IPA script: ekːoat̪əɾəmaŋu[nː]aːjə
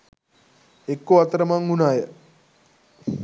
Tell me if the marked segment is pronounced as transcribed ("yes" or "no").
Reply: no